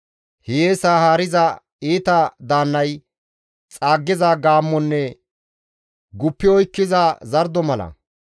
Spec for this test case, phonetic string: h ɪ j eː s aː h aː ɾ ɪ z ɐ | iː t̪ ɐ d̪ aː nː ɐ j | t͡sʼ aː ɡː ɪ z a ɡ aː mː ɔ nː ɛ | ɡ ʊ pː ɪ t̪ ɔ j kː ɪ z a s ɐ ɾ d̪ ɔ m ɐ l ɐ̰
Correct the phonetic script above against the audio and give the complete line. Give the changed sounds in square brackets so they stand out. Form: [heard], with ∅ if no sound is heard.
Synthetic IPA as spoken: h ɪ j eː s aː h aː ɾ ɪ z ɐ | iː t̪ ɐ d̪ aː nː ɐ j | t͡sʼ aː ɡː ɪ z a ɡ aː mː ɔ nː ɛ | ɡ ʊ pː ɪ [∅] ɔ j kː ɪ z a [z] ɐ ɾ d̪ ɔ m ɐ l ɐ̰